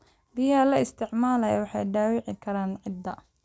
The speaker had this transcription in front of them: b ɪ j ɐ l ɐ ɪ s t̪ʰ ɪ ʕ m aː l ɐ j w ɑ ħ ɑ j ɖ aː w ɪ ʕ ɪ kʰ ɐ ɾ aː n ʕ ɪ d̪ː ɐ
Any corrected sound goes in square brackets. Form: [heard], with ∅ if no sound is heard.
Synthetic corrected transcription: b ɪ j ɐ l ɐ ɪ s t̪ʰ ɪ ʕ m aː l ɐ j w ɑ ħ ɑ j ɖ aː w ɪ ʕ ɪ kʰ ɐ ɾ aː n ʕ ɪ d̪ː ɐ